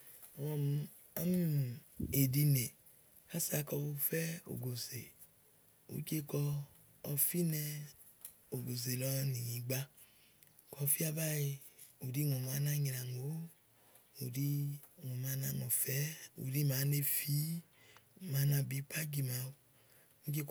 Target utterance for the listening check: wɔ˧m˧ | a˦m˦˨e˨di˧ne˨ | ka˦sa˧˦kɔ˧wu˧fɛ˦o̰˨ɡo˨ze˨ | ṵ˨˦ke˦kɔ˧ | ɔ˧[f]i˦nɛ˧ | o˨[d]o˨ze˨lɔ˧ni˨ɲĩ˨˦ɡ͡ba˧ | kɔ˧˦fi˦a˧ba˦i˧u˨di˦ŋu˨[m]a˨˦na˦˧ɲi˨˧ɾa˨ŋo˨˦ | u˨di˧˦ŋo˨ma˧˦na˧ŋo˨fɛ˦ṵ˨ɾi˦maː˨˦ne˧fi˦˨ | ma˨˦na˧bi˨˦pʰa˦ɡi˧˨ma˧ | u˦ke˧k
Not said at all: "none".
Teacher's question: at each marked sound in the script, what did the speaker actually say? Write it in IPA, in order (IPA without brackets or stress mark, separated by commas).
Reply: f, ɡ, m